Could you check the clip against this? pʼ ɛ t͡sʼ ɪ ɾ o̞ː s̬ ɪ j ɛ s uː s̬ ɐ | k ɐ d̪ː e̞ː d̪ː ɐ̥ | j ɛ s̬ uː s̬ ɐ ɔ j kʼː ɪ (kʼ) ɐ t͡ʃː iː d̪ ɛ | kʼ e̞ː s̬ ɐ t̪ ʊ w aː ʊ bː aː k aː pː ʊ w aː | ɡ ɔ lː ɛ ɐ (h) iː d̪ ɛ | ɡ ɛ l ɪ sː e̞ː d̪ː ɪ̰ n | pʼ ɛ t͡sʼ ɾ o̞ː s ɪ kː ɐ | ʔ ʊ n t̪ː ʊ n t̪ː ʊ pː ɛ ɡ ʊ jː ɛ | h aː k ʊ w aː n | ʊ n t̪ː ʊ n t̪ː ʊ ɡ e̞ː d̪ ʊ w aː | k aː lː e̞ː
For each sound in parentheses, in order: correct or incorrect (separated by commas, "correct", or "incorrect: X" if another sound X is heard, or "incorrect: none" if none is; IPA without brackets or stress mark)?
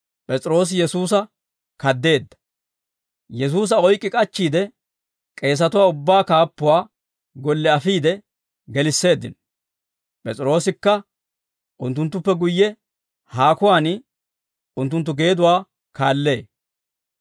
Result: correct, incorrect: f